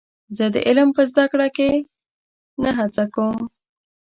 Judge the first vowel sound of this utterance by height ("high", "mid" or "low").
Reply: mid